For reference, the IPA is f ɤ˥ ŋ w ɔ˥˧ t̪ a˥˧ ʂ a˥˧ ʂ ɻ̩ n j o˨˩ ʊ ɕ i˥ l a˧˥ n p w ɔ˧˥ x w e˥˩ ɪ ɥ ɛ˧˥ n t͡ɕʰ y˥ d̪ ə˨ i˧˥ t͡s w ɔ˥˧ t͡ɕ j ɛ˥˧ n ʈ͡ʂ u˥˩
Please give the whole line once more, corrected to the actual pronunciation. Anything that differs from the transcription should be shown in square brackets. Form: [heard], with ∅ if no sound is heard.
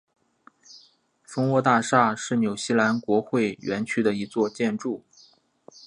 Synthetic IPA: f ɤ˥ ŋ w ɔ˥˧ t̪ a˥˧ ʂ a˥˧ ʂ ɻ̩ n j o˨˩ ʊ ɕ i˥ l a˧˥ n [k] w ɔ˧˥ x w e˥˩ ɪ ɥ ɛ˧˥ n t͡ɕʰ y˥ d̪ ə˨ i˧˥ t͡s w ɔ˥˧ t͡ɕ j ɛ˥˧ n ʈ͡ʂ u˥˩